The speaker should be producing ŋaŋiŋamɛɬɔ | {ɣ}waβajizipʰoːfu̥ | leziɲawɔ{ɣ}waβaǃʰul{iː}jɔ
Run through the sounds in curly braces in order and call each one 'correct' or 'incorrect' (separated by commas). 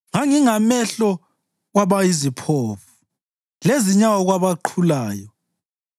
correct, correct, incorrect